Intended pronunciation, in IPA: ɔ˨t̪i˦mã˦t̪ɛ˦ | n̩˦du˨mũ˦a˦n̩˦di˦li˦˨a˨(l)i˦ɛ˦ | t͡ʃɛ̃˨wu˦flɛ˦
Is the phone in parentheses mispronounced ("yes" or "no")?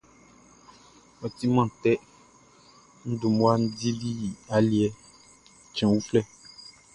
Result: no